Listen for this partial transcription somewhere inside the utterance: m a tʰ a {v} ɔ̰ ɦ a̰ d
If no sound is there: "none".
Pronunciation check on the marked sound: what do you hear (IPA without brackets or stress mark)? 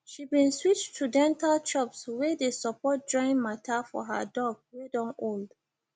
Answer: f